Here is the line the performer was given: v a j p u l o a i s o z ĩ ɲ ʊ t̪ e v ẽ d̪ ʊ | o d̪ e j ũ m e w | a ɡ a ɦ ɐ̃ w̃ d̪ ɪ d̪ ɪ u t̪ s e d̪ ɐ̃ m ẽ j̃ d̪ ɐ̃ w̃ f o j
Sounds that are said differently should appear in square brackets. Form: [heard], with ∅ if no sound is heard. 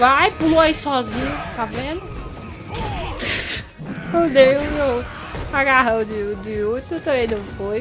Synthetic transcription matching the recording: v a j p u l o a i s [ɔ] z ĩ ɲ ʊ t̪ [a] v ẽ d̪ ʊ | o d̪ e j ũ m e w | a ɡ a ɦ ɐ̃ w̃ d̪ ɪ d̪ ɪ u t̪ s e [t̪] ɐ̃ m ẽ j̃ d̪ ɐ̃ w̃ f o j